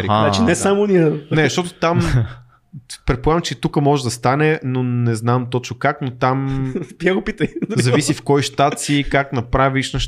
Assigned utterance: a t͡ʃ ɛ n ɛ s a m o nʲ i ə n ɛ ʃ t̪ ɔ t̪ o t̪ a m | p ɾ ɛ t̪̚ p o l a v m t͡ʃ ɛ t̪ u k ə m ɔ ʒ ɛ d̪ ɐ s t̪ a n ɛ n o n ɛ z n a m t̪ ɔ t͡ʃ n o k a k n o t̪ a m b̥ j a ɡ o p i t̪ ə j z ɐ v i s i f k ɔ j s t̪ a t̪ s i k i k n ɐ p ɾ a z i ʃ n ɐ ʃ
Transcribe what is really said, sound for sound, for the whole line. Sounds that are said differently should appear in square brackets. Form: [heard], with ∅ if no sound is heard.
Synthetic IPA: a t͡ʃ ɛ n ɛ s a m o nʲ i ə n ɛ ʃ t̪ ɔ t̪ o t̪ a m | p ɾ ɛ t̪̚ p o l a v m t͡ʃ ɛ t̪ u k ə m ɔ ʒ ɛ d̪ ɐ s t̪ a n ɛ n o n ɛ z n a m t̪ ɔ t͡ʃ n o k a k n o t̪ a m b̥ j a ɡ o p i t̪ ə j z ɐ v i s i f k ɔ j [ʃ] t̪ a t̪ s i k [a] k n ɐ p ɾ a [v] i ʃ n ɐ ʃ